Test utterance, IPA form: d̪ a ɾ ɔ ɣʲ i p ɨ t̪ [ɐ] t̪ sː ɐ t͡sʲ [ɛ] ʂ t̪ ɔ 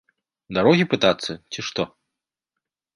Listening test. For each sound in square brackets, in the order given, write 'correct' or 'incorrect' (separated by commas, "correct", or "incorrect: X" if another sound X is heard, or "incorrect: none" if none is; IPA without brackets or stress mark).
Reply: incorrect: a, incorrect: i